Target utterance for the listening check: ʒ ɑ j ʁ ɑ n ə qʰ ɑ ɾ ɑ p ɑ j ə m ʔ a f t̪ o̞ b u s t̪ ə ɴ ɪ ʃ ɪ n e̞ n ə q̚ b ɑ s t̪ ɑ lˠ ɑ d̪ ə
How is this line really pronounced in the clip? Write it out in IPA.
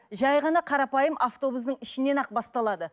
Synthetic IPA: ʒ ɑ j ʁ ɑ n ɑ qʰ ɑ ɾ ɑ p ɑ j ə m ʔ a f t̪ o̞ b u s d̪ ə ɴ ɪ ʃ ɪ n e̞ n ɑ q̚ b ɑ s t̪ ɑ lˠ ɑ d̪ ə